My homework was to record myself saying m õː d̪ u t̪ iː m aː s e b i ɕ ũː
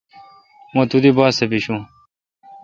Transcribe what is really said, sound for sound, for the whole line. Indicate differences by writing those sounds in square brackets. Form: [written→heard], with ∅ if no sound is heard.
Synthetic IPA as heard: m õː [d̪→t̪] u [t̪→d̪] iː [m→b] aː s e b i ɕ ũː